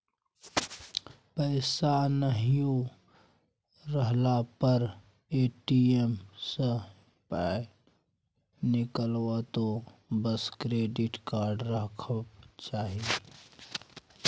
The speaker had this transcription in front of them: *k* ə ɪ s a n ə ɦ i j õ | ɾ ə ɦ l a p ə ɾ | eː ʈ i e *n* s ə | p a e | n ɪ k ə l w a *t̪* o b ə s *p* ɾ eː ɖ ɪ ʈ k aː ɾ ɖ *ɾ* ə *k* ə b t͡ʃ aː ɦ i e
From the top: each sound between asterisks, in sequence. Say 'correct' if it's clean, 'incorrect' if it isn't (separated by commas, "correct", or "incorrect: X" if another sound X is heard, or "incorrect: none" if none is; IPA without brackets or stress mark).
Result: incorrect: p, incorrect: m, correct, incorrect: k, correct, incorrect: kʰ